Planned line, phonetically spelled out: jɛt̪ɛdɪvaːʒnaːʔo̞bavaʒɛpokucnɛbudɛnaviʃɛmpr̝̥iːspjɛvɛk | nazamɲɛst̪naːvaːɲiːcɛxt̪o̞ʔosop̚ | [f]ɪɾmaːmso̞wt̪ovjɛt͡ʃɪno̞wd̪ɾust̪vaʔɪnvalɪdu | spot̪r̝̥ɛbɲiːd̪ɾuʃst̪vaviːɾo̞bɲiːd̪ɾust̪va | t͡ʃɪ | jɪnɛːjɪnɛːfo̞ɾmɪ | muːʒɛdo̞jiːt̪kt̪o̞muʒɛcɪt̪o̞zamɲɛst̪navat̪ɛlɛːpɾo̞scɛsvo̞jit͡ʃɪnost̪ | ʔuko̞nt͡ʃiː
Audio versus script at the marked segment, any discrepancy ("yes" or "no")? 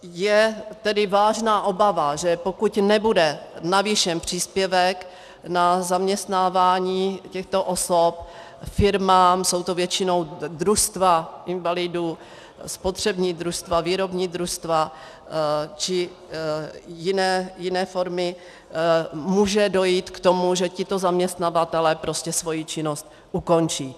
no